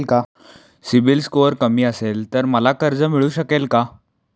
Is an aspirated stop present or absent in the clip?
absent